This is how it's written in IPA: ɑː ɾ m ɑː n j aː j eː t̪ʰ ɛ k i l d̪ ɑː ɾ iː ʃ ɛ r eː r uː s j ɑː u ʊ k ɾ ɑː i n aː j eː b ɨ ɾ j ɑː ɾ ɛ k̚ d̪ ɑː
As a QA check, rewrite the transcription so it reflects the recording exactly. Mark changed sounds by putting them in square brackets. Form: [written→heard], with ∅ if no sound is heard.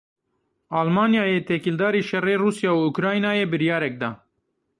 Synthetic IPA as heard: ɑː [ɾ→l] m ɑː n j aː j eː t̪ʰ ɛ k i l d̪ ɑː ɾ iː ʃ ɛ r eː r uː s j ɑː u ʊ k ɾ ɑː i n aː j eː b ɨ ɾ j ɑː ɾ ɛ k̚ d̪ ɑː